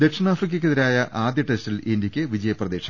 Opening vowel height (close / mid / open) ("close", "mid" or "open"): mid